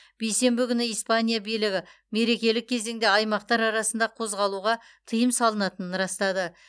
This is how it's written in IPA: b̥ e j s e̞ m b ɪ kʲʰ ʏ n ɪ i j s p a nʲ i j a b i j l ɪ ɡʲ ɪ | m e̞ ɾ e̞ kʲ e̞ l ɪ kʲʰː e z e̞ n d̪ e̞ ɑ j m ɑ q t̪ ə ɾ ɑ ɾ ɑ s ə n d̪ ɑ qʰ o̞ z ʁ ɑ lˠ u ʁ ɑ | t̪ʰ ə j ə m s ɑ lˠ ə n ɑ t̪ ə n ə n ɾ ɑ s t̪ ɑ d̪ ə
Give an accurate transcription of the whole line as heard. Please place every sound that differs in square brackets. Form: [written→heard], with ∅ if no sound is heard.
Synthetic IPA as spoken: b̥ e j s e̞ m b ɪ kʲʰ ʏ n ɪ i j s p a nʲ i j a b i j l ɪ ɡʲ ɪ | m e̞ ɾ e̞ kʲ e̞ l ɪ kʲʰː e z e̞ [n→ŋ] d̪ e̞ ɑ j m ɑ q t̪ [ə→ɑ] ɾ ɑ ɾ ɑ s ə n d̪ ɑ qʰ o̞ z ʁ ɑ lˠ u ʁ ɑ | t̪ʰ ə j ə m s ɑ lˠ ə n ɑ t̪ ə n ə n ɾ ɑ s t̪ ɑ d̪ ə

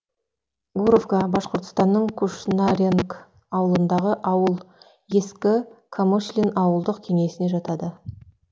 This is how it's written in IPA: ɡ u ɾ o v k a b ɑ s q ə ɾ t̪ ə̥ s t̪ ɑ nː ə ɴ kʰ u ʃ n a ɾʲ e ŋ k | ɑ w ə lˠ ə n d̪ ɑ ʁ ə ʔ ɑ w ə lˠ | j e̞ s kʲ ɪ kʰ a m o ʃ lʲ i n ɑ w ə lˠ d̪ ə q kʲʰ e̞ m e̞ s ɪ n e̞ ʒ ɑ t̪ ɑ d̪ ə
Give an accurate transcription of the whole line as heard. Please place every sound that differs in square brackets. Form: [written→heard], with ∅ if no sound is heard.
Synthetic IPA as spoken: ɡ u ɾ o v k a b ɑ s q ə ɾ t̪ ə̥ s t̪ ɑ nː ə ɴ kʰ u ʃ n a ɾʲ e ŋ k | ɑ w ə lˠ ə n d̪ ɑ ʁ ə ʔ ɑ w ə lˠ | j e̞ s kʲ ɪ kʰ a m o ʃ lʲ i n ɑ w ə lˠ d̪ ə q kʲʰ e̞ [m→ŋ] e̞ s ɪ n e̞ ʒ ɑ t̪ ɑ d̪ ə

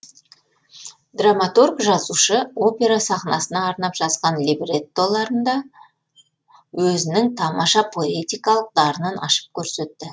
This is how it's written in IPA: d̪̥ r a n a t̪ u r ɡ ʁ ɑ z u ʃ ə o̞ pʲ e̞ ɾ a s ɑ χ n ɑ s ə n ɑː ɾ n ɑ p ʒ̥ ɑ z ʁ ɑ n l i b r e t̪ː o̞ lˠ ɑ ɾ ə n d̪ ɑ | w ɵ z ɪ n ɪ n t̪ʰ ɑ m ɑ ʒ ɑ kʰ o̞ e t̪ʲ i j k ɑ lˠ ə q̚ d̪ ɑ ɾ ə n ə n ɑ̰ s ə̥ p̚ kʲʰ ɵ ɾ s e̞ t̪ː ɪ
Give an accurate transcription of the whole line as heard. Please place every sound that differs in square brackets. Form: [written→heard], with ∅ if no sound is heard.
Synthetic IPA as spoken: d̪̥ r a [n→m] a t̪ u r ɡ [ʁ→ʒ] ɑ z u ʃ ə o̞ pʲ e̞ ɾ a s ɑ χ n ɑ s ə n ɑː ɾ n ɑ p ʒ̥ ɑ z ʁ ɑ n l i b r e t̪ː o̞ lˠ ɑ ɾ ə n d̪ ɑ | w ɵ z ɪ n ɪ [n→ŋ] t̪ʰ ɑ m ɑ [ʒ→ʃ] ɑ [kʰ→pʰ] o̞ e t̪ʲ i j k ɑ lˠ ə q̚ d̪ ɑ ɾ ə n ə n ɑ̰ [s→ʃ] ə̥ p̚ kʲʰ ɵ ɾ s e̞ t̪ː ɪ

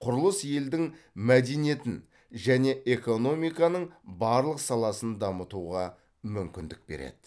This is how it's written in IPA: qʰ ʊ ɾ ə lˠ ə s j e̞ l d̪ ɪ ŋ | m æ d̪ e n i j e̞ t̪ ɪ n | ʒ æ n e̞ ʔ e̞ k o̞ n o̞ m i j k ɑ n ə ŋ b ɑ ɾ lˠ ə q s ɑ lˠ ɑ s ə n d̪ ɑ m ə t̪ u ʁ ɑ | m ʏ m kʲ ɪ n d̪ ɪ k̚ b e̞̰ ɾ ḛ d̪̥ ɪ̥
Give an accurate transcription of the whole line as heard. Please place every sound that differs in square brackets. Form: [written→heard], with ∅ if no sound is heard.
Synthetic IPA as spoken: qʰ ʊ ɾ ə lˠ ə s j e̞ l d̪ ɪ ŋ | m æ d̪ e n i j e̞ t̪ ɪ n | ʒ æ n e̞ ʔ e̞ k o̞ n o̞ m i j k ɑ n ə [ŋ→ɴ] b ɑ ɾ lˠ ə q s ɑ lˠ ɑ s ə n d̪ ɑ m ə t̪ u ʁ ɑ | m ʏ m kʲ ɪ n d̪ ɪ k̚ b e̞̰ ɾ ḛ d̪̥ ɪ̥

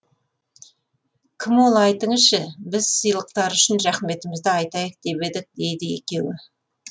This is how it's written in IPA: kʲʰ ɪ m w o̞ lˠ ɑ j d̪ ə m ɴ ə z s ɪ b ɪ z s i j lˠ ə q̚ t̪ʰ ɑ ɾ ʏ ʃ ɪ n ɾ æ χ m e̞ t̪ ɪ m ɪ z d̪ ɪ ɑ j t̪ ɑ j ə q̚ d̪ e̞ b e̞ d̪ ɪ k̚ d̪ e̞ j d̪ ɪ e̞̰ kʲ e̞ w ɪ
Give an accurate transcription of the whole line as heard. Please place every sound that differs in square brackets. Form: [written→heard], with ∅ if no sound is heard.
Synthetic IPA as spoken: kʲʰ ɪ m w o̞ lˠ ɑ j [d̪→t̪] ə [m→∅] ɴ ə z [s→ʃ] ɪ b ɪ z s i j lˠ ə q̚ [t̪ʰ→t̪] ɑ ɾ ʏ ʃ ɪ n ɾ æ χ m e̞ t̪ ɪ m ɪ z d̪ ɪ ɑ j t̪ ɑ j ə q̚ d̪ e̞ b e̞ d̪ ɪ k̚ d̪ e̞ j d̪ ɪ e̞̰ kʲ e̞ w ɪ

